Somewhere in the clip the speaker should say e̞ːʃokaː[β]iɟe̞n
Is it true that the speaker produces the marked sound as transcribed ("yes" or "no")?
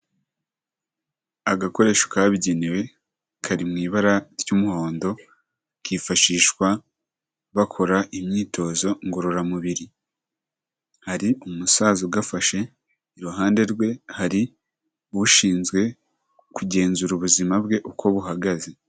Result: yes